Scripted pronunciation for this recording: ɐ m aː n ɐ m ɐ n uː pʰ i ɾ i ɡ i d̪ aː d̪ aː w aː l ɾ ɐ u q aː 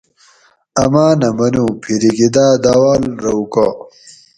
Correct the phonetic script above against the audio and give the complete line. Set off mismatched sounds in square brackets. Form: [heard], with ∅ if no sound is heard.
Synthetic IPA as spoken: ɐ m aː n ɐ m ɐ n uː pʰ i ɾ i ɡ i d̪ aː d̪ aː w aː l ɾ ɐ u [k] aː